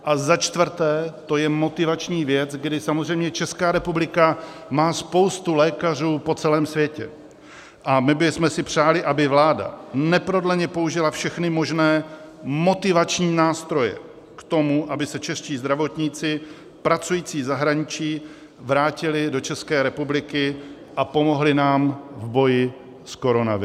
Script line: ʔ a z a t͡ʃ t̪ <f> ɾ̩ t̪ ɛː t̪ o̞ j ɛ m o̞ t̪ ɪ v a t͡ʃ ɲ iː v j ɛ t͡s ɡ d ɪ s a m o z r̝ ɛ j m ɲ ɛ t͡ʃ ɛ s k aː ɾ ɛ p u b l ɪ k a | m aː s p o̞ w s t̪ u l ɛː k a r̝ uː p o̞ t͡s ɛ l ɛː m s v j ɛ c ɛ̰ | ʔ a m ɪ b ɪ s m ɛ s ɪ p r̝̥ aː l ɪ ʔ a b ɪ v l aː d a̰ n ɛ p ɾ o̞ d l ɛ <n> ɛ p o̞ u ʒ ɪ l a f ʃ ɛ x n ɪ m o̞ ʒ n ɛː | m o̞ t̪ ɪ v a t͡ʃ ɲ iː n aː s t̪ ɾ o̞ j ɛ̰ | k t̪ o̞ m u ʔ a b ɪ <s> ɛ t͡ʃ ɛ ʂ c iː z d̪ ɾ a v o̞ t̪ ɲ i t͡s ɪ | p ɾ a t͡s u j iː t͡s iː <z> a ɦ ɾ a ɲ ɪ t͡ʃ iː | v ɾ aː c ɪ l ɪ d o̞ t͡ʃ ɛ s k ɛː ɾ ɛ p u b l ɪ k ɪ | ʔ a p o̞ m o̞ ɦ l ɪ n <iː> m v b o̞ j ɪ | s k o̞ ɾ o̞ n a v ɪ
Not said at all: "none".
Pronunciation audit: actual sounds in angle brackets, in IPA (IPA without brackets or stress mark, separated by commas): v, ɲ, s, z, aː